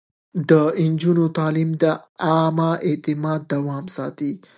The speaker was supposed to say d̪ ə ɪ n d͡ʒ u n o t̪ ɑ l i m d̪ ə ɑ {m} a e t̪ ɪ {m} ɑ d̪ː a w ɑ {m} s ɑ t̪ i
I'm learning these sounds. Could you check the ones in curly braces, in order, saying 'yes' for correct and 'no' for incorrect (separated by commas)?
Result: yes, yes, yes